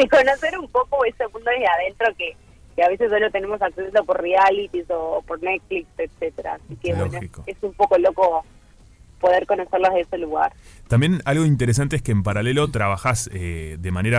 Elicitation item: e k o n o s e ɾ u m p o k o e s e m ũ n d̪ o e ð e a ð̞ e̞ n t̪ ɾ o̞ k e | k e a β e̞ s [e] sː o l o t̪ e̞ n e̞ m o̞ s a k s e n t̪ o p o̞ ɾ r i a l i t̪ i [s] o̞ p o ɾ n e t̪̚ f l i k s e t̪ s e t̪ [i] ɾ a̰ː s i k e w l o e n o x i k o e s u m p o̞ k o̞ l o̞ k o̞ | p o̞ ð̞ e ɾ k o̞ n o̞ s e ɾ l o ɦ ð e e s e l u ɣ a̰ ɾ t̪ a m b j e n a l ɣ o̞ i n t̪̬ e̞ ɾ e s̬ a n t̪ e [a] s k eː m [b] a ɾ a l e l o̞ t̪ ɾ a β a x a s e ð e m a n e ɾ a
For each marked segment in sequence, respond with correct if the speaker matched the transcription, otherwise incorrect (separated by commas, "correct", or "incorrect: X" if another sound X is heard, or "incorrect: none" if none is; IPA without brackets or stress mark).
correct, correct, incorrect: e, incorrect: e, incorrect: p